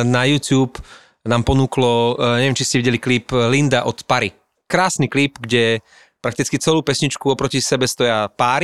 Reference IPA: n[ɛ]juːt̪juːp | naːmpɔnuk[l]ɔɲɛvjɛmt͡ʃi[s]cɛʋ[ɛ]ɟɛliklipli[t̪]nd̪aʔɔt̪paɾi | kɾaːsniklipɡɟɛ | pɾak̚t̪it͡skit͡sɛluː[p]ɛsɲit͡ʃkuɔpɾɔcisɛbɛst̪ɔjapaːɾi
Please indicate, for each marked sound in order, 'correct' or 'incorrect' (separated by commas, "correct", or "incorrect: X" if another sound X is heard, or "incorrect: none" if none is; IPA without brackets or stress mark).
incorrect: a, correct, correct, incorrect: i, incorrect: none, correct